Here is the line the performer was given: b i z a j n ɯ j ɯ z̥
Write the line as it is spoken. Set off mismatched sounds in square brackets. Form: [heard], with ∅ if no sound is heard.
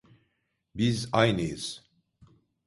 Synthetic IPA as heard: b i z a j n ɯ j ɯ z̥